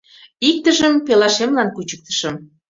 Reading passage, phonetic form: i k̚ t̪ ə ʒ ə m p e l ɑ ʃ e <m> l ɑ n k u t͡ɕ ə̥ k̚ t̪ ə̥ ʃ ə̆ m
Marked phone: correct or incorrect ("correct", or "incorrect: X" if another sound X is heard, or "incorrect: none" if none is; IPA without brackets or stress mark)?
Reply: correct